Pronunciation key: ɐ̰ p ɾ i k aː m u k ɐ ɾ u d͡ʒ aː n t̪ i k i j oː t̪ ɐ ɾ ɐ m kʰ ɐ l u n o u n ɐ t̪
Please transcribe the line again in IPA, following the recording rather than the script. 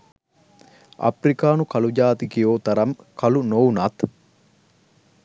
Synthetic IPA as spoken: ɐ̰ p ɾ i k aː n u k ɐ l u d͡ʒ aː t̪ i k i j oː t̪ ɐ ɾ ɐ m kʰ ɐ l u n o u n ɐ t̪